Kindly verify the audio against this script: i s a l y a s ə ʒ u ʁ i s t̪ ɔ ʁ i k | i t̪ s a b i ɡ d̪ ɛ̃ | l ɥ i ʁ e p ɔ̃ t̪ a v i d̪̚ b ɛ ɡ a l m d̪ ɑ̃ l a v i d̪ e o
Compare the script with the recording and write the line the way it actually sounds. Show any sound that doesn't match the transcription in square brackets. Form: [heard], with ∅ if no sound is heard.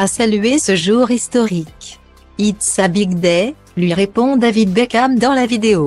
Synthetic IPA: [a] s a l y [e] s ə ʒ u ʁ i s t̪ ɔ ʁ i k | i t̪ s a b i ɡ d̪ [ɛ] | l ɥ i ʁ e p ɔ̃ [d̪] a v i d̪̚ b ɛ [k] a [∅] m d̪ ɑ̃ l a v i d̪ e o